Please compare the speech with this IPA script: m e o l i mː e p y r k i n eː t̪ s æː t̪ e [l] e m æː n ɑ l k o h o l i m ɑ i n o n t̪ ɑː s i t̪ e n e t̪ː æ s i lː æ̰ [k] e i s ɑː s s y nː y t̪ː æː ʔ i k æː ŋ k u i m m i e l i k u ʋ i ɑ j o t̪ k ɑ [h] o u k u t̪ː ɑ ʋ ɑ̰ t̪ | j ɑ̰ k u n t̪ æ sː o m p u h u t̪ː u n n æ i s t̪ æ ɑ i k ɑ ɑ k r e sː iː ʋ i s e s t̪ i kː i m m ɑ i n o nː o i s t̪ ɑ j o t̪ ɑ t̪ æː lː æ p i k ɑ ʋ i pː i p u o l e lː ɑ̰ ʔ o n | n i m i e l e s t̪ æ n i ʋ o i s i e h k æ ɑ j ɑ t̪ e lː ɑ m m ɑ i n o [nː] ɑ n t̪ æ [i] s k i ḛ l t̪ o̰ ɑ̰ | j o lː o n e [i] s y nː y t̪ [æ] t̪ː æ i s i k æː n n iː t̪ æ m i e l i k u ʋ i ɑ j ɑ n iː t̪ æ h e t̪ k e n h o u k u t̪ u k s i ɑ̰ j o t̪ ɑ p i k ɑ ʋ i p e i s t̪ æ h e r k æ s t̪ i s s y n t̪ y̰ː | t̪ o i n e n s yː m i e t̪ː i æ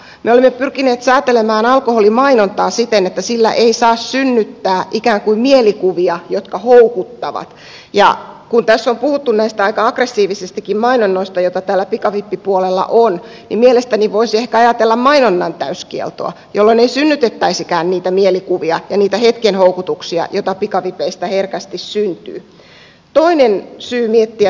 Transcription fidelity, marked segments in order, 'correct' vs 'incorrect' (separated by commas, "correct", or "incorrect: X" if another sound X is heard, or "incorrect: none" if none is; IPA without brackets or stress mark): correct, incorrect: ʔ, correct, correct, incorrect: y, correct, incorrect: e